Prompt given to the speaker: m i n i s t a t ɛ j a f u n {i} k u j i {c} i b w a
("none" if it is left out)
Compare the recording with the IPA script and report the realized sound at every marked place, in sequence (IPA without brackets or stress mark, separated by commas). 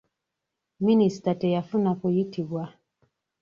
a, t